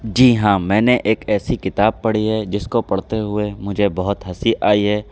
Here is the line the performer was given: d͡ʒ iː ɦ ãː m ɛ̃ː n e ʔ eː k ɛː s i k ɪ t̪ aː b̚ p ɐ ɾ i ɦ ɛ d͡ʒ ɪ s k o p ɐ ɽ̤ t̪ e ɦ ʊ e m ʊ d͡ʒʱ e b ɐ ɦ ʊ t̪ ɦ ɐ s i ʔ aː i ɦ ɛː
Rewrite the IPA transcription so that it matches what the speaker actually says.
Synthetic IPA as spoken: d͡ʒ iː ɦ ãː m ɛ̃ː n e ʔ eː k ɛː s i k ɪ t̪ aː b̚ p ɐ ɽ i ɦ ɛ d͡ʒ ɪ s k o p ɐ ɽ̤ t̪ e ɦ ʊ e m ʊ d͡ʒʱ e b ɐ ɦ ʊ t̪ ɦ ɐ s i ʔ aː i ɦ ɛː

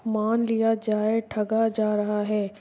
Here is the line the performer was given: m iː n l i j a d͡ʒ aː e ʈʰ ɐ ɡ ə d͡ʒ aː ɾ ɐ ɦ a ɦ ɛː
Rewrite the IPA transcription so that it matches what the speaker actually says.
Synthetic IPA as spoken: m aː n l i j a d͡ʒ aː e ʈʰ ɐ ɡ a d͡ʒ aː ɾ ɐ ɦ a ɦ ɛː

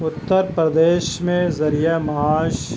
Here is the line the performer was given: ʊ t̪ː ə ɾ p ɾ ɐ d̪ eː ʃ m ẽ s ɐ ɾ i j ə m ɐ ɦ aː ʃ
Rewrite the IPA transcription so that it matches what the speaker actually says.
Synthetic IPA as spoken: ʊ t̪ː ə ɾ p ɾ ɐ d̪ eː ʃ m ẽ z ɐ ɾ i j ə m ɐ ɦ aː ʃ

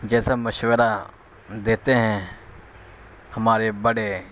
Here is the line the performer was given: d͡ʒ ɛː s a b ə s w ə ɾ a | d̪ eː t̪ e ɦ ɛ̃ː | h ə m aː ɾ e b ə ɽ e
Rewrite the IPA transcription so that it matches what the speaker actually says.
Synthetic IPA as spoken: d͡ʒ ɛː s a m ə ʃ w ə ɾ a | d̪ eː t̪ e ɦ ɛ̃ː | h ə m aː ɾ e b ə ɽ e

